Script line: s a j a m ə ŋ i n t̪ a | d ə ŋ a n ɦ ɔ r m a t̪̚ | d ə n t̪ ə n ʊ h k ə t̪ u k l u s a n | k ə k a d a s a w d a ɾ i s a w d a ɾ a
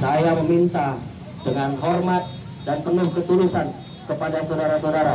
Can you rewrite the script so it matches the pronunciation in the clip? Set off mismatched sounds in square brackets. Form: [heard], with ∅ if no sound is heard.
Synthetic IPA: s a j a m ə [m] i n t̪ a | d ə ŋ a n ɦ ɔ r m a t̪̚ | d [a] n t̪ ə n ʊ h k ə t̪ u [∅] l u s a n | k ə [p] a d a s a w d a ɾ [a] s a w d a ɾ a